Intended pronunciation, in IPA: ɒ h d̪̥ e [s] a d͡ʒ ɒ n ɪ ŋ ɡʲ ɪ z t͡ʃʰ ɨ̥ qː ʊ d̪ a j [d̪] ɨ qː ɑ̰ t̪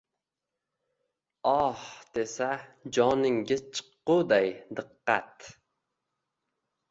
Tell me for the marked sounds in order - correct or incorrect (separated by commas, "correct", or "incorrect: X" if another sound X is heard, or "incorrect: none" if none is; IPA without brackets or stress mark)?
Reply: correct, correct